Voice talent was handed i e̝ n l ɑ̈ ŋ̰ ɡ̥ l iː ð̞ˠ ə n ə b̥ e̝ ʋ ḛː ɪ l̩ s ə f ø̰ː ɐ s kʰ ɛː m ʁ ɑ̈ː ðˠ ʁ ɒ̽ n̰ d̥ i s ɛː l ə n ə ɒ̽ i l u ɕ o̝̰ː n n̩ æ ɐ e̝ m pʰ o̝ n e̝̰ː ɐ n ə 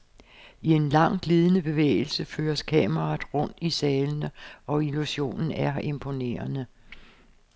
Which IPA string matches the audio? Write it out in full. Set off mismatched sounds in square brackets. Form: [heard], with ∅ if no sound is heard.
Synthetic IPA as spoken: i e̝ n l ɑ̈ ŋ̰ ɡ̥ l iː ð̞ˠ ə n ə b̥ e̝ ʋ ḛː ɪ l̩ s ə f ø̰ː ɐ s kʰ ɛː m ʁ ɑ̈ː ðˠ ʁ [ɔ̽] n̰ d̥ i s ɛː l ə n ə ɒ̽ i l u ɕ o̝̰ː n n̩ æ ɐ e̝ m pʰ o̝ n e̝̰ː ɐ n ə